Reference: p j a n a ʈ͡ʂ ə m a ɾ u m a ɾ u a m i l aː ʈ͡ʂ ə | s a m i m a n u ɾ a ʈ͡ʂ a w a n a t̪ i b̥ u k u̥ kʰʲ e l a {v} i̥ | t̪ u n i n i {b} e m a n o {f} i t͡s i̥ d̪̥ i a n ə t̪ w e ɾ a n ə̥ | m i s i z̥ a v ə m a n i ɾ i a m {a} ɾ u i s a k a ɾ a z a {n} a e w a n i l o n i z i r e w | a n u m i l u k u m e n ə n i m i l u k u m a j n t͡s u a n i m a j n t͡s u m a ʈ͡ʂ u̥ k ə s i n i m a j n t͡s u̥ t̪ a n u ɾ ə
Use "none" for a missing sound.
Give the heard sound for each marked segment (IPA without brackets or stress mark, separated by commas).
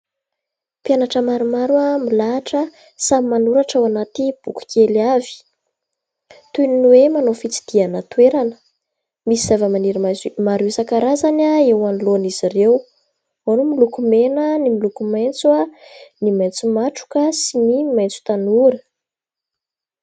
v, w, f, a, n